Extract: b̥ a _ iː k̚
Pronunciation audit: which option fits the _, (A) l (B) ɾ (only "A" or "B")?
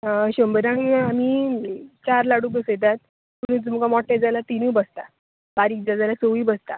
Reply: B